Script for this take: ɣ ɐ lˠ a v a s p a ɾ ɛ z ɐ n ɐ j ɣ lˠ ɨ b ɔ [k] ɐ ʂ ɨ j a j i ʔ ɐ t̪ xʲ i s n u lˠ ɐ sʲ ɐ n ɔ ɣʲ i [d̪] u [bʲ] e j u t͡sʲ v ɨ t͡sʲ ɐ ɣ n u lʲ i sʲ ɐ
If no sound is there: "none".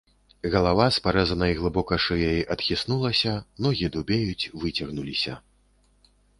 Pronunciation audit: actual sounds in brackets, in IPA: k, d̪, bʲ

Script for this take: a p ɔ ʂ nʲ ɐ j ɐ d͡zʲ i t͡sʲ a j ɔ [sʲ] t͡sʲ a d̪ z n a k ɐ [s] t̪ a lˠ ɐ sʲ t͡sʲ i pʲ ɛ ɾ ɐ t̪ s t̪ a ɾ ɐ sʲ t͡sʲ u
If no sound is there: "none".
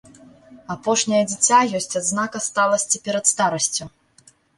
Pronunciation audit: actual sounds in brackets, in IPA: sʲ, s

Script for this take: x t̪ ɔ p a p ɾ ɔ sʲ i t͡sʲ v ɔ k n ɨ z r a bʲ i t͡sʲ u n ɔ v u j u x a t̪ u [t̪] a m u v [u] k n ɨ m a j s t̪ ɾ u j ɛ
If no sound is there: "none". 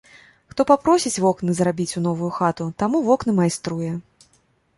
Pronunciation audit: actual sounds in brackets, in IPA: t̪, ɔ

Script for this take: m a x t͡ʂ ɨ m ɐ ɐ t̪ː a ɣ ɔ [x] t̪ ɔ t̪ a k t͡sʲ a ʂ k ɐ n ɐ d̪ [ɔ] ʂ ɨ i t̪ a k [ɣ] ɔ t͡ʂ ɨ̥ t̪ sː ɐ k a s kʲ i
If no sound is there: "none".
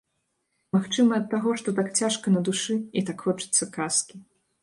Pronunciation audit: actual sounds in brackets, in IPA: ʂ, u, x

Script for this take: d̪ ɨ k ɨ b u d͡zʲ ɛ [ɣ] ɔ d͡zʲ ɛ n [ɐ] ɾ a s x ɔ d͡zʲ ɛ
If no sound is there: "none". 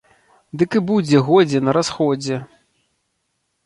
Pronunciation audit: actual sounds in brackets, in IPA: ɣ, ɐ

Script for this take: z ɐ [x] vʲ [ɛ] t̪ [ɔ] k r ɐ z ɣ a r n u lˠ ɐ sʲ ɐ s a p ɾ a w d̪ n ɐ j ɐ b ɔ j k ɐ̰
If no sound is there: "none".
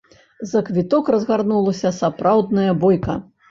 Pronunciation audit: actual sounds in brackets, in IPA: k, i, ɔ

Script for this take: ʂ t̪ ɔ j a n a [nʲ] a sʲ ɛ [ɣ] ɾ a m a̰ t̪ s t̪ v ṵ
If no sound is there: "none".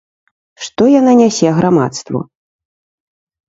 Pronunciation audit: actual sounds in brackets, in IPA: nʲ, ɣ

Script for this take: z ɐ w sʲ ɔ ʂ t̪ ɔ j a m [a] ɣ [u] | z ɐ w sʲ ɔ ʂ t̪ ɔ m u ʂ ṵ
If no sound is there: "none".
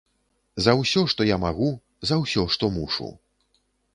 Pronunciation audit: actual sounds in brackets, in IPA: a, u

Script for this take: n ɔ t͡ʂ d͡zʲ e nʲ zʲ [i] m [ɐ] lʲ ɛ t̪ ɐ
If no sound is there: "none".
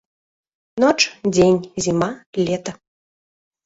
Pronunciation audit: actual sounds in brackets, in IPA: i, a

